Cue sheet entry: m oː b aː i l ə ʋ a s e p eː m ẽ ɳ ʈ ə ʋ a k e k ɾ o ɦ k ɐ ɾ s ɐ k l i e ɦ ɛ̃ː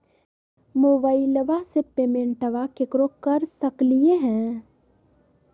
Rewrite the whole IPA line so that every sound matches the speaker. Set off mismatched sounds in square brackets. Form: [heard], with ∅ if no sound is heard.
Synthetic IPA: m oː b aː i l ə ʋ a s e p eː m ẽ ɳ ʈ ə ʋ a k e k ɾ o [∅] k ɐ ɾ s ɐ k l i e ɦ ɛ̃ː